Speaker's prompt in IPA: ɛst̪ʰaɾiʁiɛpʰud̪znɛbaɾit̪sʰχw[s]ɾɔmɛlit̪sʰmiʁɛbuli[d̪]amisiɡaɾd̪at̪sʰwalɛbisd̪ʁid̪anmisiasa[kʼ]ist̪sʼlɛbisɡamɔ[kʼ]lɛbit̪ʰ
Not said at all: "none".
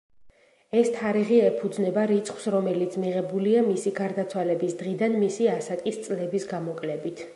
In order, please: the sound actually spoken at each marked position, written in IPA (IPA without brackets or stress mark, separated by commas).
s, none, kʼ, kʼ